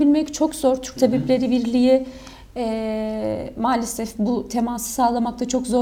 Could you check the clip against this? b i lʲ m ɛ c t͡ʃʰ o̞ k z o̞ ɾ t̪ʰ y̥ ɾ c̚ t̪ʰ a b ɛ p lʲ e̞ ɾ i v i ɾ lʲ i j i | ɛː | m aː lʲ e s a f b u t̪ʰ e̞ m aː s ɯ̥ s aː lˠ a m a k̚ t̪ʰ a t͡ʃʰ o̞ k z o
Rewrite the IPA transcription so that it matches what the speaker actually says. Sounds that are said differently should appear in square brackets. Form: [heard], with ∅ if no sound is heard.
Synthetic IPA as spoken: b i lʲ m ɛ c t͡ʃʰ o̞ k z o̞ ɾ t̪ʰ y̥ ɾ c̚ t̪ʰ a b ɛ p lʲ e̞ ɾ i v i ɾ lʲ i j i | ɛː | m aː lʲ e s [ɛ] f b u t̪ʰ e̞ m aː s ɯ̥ s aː lˠ a m a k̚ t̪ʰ a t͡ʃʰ o̞ k z o